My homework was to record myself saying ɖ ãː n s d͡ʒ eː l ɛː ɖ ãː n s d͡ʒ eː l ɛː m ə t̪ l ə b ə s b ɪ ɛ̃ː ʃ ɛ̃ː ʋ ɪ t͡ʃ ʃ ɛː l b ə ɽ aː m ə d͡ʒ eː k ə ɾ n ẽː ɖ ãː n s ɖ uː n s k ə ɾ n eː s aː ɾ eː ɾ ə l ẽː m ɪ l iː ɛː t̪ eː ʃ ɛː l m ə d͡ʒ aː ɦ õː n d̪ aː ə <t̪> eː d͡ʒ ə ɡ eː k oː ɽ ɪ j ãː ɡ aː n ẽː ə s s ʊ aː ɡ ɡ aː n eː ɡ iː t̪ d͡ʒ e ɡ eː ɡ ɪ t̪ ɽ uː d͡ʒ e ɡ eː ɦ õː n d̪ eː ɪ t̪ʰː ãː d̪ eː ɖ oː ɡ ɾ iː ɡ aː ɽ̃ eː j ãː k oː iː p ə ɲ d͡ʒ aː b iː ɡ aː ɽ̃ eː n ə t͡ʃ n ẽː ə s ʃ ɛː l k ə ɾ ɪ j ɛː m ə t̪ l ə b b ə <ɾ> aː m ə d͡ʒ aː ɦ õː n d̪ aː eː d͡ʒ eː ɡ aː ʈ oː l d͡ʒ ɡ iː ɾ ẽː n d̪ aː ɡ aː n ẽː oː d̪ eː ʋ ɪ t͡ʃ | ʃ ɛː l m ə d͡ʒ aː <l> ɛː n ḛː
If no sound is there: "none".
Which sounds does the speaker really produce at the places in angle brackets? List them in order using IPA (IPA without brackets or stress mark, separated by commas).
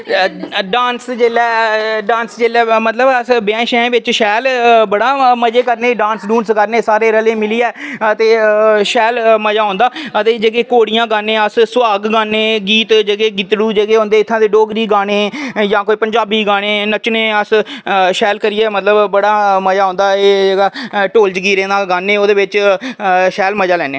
t̪, ɽ, l